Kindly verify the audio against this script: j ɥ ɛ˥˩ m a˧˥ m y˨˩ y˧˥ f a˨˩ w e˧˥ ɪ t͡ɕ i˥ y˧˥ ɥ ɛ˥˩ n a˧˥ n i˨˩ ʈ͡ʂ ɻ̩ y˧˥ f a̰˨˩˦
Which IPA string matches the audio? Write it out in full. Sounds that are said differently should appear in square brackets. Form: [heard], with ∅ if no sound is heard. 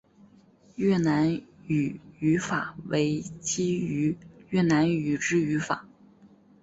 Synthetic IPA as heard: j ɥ ɛ˥˩ [n] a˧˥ [n] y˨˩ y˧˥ f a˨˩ w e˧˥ ɪ t͡ɕ i˥ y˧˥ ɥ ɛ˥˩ n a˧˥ n [y˨˩] ʈ͡ʂ ɻ̩ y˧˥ f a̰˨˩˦